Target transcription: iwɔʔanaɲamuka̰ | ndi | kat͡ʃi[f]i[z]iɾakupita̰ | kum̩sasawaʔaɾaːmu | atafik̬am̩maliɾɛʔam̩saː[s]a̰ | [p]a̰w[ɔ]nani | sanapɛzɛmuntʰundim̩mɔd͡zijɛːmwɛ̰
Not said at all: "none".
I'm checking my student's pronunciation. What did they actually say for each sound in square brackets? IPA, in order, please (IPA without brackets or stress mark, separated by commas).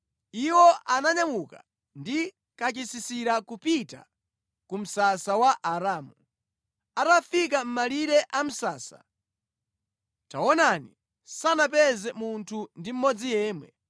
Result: s, s, s, t, ɔ